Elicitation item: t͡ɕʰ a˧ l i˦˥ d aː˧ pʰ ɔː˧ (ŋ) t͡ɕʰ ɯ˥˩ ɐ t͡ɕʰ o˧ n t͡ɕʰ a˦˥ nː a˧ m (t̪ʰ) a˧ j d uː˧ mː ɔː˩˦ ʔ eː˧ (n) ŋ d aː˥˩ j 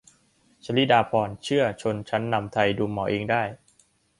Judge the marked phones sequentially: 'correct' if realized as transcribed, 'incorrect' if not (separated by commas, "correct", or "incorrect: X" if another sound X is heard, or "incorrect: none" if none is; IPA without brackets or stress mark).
incorrect: n, correct, incorrect: none